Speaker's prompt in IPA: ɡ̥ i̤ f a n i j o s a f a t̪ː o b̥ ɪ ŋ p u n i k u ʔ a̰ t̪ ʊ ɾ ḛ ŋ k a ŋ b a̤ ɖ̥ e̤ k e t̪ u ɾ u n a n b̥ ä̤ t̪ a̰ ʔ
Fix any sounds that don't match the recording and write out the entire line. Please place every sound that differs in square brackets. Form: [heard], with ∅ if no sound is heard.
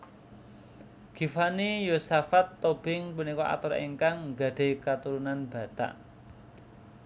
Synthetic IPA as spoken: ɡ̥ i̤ f a n i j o s a f a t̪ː o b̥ ɪ ŋ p u n i k [ɔ] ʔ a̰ t̪ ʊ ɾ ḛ ŋ k a ŋ [ɡ] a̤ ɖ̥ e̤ k [a] t̪ u ɾ u n a n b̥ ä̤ t̪ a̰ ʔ